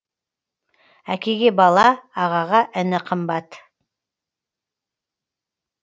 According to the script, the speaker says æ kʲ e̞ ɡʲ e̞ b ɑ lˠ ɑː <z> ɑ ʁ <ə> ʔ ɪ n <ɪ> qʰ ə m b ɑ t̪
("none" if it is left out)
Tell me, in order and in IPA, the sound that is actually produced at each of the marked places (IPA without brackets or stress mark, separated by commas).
ʁ, ɑ, ɪ